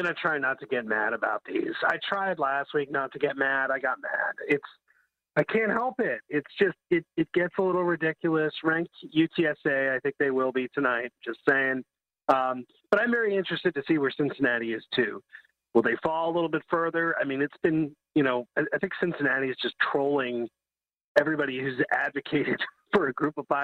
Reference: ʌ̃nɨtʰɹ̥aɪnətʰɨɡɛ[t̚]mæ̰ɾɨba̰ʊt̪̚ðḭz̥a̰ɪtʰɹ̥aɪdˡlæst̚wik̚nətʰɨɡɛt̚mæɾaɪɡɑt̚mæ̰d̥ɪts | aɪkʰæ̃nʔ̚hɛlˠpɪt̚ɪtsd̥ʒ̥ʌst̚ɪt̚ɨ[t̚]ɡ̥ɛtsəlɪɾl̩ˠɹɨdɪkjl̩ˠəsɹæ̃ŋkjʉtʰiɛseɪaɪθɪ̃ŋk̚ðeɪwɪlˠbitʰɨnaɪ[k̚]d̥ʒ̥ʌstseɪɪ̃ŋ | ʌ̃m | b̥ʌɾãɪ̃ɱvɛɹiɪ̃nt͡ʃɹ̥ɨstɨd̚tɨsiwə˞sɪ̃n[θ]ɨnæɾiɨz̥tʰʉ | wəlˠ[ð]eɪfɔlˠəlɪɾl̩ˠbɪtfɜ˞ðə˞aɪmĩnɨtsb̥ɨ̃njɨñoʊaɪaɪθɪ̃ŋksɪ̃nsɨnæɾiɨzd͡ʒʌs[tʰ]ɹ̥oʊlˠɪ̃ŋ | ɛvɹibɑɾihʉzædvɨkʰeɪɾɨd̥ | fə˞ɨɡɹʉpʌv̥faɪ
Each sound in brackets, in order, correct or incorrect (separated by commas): correct, correct, incorrect, incorrect, correct, correct